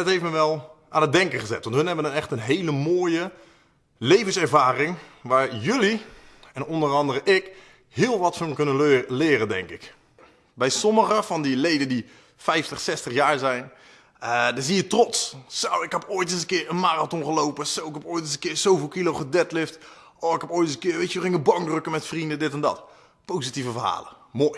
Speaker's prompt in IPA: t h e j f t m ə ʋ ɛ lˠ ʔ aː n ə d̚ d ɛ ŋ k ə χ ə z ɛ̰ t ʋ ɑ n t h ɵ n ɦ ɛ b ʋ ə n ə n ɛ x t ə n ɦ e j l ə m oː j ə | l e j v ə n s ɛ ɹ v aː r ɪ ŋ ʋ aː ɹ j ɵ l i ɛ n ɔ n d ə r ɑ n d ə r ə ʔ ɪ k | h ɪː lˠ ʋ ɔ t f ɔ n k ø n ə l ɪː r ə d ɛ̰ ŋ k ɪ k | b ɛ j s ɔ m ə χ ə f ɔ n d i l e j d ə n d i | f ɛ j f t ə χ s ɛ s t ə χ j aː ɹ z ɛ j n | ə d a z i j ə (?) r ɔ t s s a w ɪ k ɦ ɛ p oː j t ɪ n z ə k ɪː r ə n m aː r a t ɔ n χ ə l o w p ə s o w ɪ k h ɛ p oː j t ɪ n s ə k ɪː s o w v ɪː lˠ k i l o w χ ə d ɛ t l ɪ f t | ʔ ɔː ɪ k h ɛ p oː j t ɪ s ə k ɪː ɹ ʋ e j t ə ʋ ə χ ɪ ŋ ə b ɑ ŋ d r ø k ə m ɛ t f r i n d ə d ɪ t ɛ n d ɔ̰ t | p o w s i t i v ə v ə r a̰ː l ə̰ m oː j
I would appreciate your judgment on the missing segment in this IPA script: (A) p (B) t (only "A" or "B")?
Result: B